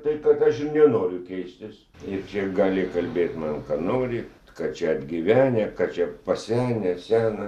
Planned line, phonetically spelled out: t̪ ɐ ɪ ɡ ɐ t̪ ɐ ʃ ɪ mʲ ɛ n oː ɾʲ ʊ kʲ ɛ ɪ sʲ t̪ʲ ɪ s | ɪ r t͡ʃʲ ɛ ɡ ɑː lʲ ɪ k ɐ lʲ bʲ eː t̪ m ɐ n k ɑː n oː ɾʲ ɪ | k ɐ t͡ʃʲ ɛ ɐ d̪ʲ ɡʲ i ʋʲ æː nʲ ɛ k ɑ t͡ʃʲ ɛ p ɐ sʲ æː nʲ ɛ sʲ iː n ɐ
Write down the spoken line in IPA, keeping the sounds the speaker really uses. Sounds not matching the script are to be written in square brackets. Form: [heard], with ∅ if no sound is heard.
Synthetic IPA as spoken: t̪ ɐ ɪ [k] ɐ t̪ ɐ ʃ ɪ [nʲ] ɛ n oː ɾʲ ʊ kʲ ɛ ɪ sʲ t̪ʲ ɪ s | ɪ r t͡ʃʲ ɛ ɡ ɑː lʲ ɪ k ɐ lʲ bʲ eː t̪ m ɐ n k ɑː n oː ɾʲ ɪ | k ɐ t͡ʃʲ ɛ ɐ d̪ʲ ɡʲ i ʋʲ æː nʲ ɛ k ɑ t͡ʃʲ ɛ p ɐ sʲ æː nʲ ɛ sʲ [æː] n ɐ

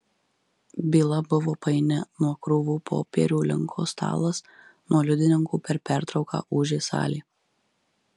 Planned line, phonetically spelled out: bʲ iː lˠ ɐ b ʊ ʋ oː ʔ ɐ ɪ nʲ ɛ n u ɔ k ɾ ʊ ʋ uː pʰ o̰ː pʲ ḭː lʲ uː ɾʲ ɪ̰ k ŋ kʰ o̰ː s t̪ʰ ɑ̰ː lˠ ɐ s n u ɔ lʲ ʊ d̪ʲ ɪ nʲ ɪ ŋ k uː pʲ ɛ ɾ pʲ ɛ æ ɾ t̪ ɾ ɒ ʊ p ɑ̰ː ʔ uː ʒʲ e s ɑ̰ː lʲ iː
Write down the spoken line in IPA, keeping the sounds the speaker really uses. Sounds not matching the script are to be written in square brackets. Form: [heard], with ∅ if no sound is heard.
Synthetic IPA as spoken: bʲ iː lˠ ɐ b ʊ ʋ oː [p] ɐ ɪ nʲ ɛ n u ɔ k ɾ ʊ ʋ uː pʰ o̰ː pʲ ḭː [ɾʲ] uː [lʲ] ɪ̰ [∅] ŋ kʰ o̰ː s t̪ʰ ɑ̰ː lˠ ɐ s n u ɔ lʲ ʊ d̪ʲ ɪ nʲ ɪ ŋ k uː pʲ ɛ ɾ pʲ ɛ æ ɾ t̪ ɾ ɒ ʊ [k] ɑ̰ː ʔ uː ʒʲ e s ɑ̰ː lʲ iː

